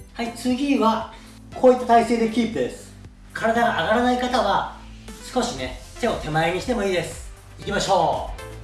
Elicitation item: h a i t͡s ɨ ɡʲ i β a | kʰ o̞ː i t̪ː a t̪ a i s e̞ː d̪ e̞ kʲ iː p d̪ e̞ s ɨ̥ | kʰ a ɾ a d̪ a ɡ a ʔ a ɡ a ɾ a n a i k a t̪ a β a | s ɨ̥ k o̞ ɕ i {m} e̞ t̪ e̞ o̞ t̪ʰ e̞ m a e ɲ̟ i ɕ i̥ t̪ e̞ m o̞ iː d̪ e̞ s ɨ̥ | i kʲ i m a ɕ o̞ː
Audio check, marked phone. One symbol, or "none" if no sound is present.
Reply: n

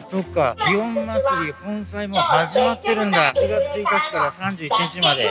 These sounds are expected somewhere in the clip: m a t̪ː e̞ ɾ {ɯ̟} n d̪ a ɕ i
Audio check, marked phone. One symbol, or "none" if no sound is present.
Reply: ɯ̟̃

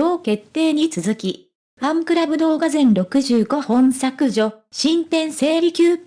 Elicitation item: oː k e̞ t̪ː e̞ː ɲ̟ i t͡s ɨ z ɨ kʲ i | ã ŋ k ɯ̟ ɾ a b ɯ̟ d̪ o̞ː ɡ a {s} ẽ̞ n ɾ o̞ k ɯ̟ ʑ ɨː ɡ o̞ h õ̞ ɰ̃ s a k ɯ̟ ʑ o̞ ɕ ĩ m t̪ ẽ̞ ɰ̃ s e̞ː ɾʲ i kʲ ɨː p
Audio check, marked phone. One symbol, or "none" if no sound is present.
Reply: z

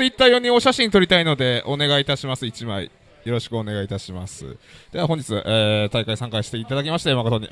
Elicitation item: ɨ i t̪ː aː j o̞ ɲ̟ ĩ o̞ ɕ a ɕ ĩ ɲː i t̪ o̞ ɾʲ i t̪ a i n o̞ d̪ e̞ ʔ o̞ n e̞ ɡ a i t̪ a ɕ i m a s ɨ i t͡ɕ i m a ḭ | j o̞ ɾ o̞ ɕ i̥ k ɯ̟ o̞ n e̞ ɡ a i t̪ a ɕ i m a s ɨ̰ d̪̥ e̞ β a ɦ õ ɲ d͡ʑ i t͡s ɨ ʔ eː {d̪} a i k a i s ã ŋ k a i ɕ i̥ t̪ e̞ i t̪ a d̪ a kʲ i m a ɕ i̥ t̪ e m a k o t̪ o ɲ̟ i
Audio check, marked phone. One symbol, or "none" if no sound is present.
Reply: t̪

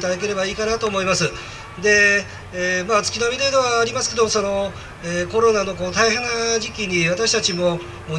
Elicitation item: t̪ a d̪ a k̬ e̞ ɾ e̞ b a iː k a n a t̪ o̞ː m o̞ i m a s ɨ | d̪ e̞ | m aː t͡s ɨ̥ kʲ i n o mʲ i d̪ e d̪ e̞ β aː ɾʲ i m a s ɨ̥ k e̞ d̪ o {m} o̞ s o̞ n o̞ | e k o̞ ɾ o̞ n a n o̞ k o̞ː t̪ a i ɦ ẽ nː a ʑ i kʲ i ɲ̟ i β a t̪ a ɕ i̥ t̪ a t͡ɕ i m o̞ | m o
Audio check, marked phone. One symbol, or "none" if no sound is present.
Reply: m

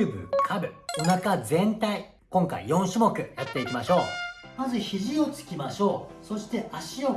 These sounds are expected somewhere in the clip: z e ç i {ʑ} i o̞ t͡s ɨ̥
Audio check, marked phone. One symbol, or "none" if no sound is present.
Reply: ʑ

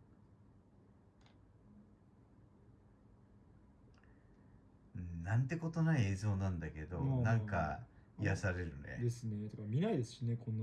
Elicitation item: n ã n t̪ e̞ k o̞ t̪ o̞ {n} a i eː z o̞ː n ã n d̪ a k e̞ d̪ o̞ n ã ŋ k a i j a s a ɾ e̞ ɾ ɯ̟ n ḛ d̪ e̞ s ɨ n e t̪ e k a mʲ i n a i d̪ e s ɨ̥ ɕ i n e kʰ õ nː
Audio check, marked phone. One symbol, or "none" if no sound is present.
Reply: n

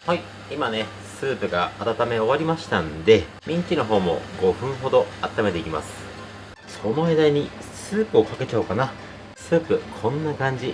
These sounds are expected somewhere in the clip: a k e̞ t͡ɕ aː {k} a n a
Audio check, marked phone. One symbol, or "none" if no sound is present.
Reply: k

